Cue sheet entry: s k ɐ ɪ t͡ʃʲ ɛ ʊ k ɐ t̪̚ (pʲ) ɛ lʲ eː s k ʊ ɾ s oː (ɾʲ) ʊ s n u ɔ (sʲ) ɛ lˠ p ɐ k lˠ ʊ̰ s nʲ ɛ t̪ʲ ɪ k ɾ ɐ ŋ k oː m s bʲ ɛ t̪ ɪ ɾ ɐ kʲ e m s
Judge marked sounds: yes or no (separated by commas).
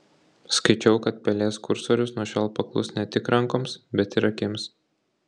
yes, yes, no